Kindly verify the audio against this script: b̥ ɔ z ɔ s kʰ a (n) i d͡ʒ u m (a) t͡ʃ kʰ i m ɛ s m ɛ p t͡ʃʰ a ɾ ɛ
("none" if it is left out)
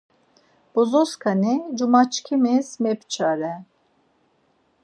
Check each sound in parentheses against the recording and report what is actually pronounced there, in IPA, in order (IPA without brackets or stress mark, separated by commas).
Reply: n, a